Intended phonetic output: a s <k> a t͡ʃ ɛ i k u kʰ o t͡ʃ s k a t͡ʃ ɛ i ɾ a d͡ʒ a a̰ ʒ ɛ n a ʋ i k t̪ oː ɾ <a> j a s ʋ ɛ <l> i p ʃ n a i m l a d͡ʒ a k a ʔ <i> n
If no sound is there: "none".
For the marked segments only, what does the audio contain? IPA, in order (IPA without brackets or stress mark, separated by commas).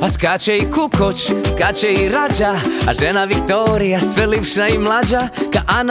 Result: k, i, l, a